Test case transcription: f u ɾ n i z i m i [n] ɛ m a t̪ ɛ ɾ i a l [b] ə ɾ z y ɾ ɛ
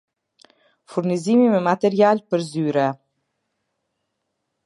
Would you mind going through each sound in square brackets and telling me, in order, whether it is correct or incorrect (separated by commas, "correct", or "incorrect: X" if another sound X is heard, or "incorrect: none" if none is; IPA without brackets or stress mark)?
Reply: incorrect: m, incorrect: p